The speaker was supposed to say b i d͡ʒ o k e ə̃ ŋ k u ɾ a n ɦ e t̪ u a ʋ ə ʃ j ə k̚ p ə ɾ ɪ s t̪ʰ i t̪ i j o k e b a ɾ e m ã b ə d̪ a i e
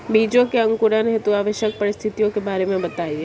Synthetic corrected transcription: b i d͡ʒ o k e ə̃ ŋ k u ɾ a n ɦ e t̪ u a ʋ ə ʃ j ə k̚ p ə ɾ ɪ s t̪ʰ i t̪ i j o k e b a ɾ e m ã b ə t̪ a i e